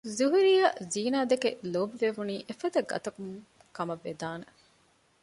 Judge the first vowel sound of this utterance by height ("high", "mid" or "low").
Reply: high